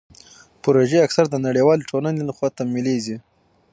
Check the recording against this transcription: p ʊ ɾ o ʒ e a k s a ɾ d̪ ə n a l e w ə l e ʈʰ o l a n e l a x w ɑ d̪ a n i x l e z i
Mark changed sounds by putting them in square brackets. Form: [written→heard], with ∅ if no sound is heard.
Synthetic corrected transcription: p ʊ ɾ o ʒ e a k s a ɾ d̪ ə n a [l→ɽ] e w [ə→ɑ] l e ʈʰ o l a n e l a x w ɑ [d̪→t̪] a [n→m] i [x→∅] l e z i